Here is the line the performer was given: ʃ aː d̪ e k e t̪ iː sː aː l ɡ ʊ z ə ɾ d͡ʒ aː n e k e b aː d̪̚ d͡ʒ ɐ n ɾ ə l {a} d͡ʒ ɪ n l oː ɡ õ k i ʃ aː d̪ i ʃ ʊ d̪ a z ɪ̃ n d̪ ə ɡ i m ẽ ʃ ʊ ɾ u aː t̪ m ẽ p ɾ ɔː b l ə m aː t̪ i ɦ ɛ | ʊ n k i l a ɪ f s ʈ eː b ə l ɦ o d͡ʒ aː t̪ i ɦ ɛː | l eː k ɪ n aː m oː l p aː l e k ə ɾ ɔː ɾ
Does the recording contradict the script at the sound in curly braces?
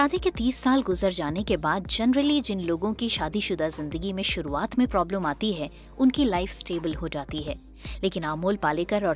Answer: yes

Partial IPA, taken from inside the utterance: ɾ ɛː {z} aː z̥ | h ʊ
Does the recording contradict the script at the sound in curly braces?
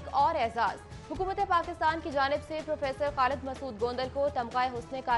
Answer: no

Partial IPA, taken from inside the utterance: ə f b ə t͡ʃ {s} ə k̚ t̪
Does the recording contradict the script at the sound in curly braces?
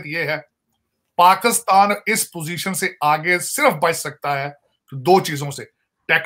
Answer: no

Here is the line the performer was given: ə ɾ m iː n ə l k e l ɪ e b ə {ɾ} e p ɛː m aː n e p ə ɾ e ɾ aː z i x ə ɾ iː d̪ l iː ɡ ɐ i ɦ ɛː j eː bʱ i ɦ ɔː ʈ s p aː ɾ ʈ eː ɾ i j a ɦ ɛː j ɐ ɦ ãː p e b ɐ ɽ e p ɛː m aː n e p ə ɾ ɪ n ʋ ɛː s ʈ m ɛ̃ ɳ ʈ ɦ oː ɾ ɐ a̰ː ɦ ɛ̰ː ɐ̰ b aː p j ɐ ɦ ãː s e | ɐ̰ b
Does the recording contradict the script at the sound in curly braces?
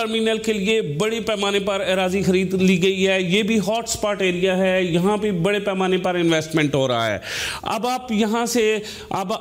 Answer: yes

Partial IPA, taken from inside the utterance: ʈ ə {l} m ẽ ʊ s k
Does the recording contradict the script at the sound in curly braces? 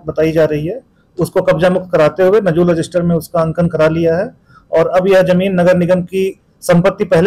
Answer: yes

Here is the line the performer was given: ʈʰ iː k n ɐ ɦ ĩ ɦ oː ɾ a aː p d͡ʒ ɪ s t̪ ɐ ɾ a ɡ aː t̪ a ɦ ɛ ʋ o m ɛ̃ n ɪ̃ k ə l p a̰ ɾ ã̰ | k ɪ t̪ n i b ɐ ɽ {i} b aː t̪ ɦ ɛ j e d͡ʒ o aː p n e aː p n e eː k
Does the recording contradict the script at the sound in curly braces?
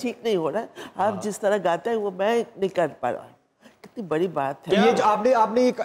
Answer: no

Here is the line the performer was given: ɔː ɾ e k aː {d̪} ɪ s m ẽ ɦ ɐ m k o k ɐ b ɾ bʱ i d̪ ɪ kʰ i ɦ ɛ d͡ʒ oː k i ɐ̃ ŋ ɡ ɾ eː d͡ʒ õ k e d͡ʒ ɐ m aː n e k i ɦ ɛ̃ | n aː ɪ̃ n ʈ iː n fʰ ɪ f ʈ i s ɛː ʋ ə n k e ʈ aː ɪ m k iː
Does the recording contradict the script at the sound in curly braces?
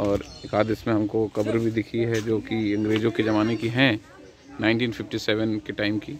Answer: no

